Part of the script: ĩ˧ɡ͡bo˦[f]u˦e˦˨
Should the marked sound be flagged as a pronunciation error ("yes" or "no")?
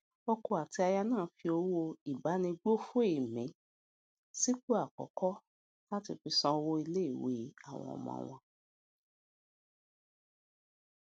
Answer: no